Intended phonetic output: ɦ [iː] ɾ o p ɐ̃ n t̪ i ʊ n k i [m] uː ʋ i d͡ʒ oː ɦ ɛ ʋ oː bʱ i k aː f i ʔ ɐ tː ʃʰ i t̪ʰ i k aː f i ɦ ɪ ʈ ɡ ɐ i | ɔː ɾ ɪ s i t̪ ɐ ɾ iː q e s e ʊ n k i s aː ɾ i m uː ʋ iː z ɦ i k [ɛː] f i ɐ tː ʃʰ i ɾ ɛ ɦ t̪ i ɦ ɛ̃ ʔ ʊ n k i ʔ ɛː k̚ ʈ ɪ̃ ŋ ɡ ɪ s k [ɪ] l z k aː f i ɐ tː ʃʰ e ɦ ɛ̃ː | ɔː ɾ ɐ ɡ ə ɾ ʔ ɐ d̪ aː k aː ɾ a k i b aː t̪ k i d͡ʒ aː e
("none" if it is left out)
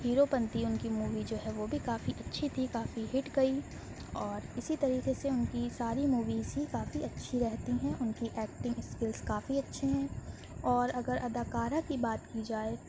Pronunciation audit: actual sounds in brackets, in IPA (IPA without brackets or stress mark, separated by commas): iː, m, aː, ɪ